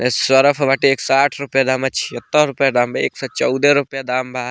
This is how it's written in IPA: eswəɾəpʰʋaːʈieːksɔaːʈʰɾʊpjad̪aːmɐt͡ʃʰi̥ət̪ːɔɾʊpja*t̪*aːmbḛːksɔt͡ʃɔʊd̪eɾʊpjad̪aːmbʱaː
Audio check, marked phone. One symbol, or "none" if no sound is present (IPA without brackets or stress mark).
d̪